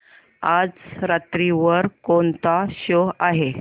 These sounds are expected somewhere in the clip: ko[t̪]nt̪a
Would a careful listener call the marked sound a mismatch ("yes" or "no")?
yes